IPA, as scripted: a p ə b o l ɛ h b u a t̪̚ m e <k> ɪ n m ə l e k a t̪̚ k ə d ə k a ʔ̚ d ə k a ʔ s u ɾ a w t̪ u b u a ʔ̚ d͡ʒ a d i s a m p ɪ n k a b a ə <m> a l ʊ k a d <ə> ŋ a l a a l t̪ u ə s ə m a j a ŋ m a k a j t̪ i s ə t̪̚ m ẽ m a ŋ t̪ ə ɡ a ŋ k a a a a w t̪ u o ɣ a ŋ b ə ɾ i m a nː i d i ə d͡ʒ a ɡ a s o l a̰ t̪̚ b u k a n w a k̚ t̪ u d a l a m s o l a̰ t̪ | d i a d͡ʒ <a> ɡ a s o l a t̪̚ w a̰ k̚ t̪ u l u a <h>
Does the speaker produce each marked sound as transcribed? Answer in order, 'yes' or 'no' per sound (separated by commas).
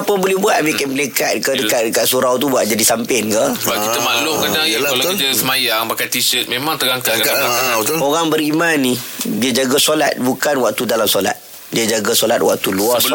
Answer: yes, yes, no, yes, no